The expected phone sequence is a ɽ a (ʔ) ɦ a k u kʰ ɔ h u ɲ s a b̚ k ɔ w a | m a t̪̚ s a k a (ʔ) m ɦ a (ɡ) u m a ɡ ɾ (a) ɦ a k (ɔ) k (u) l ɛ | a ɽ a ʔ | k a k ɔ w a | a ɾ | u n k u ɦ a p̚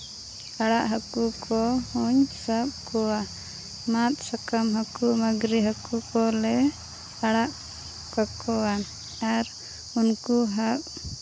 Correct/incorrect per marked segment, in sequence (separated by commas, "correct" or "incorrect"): correct, incorrect, incorrect, incorrect, incorrect, incorrect